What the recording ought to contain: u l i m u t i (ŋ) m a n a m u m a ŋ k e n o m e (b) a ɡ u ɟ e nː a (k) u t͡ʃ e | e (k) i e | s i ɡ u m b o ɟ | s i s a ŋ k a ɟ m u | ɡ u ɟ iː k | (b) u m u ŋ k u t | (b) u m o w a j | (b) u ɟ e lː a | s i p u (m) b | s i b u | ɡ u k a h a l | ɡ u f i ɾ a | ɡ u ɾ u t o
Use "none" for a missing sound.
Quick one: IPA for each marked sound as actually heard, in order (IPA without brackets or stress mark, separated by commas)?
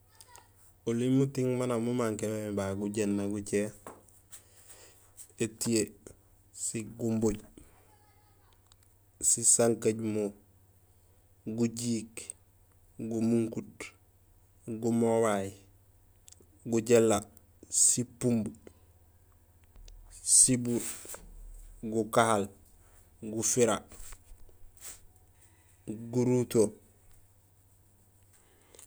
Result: ŋ, b, ɡ, t, ɡ, ɡ, ɡ, m